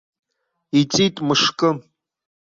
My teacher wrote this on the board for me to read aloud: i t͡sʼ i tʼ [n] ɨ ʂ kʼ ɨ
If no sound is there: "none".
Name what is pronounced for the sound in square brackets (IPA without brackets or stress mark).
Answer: m